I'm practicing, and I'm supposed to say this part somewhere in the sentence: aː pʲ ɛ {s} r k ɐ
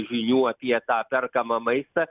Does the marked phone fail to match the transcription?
yes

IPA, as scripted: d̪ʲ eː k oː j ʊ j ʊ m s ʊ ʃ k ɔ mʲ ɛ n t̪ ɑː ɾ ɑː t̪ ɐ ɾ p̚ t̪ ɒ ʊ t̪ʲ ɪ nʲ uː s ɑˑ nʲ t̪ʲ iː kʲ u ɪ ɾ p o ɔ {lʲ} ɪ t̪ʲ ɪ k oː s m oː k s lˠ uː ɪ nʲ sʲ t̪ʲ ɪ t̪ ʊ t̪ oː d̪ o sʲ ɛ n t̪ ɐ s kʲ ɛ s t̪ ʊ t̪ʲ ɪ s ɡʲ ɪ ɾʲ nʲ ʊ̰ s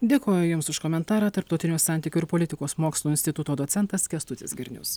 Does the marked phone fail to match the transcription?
no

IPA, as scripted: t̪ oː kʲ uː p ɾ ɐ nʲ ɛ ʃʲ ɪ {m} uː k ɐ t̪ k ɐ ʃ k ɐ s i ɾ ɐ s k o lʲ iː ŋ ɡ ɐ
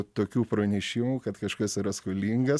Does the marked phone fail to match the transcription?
no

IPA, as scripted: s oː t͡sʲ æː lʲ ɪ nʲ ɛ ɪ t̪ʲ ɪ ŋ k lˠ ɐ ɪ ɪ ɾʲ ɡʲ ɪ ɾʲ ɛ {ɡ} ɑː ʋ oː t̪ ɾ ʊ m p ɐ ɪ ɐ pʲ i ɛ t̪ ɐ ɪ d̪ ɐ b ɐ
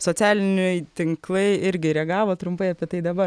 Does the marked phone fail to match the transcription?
no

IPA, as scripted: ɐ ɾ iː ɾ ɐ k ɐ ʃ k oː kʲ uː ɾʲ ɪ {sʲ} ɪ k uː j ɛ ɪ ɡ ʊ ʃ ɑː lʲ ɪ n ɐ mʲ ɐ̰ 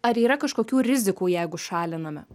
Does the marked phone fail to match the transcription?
yes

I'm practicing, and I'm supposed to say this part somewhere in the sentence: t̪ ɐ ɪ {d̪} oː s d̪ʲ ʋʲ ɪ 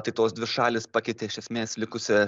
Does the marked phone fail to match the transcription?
yes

